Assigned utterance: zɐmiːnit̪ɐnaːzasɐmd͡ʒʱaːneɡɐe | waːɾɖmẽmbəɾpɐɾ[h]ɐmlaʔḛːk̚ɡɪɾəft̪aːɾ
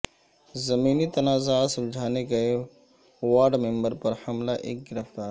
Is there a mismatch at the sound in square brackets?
no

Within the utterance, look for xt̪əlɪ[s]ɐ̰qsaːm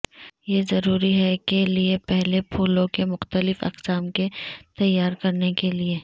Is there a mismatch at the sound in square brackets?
yes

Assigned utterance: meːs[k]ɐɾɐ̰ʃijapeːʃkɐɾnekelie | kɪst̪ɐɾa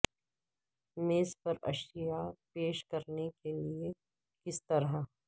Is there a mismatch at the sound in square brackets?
yes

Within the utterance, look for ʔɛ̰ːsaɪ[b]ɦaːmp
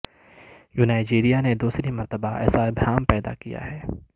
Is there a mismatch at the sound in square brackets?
no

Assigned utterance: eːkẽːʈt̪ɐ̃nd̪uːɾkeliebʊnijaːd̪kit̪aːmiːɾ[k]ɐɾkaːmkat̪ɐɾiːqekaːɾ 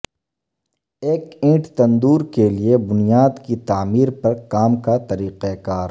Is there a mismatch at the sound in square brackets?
yes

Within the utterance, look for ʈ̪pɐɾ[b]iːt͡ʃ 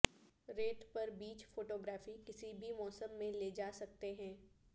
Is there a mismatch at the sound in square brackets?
no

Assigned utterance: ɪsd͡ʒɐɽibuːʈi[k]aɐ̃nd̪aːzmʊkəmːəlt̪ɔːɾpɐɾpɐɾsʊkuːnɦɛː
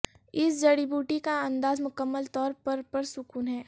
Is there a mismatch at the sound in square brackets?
no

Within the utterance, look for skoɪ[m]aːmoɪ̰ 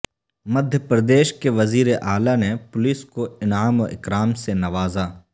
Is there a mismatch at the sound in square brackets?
yes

